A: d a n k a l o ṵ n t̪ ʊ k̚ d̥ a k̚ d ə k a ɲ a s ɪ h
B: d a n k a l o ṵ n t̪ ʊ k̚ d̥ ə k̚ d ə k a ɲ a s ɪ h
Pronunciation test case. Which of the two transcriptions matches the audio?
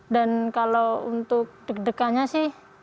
B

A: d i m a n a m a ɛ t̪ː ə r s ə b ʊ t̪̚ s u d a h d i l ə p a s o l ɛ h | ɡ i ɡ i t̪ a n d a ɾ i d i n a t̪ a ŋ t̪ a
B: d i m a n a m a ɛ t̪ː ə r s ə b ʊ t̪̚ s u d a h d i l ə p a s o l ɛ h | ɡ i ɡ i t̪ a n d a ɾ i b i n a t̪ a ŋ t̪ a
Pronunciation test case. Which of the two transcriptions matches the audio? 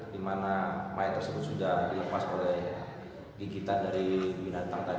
B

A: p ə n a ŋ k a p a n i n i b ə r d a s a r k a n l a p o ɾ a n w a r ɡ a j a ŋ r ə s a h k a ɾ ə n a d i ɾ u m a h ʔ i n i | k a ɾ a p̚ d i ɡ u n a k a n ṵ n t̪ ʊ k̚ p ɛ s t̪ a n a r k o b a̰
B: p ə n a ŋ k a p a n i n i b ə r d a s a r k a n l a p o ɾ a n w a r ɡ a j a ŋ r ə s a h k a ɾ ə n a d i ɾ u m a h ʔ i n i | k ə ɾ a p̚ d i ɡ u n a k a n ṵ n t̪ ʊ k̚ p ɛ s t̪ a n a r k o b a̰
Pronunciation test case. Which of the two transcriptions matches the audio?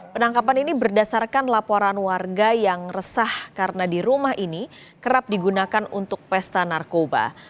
B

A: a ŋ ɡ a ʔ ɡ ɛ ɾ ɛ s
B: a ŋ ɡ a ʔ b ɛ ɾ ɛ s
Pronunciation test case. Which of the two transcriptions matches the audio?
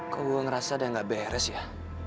B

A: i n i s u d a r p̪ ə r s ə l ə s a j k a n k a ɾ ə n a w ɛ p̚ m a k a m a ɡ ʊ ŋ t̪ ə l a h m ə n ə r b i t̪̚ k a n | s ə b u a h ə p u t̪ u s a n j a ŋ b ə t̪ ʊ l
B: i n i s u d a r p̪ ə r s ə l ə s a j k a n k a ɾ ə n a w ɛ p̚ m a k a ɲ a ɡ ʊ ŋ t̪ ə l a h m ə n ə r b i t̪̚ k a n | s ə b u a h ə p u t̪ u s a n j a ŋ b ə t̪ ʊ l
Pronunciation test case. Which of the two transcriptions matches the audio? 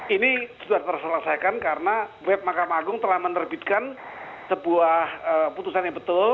A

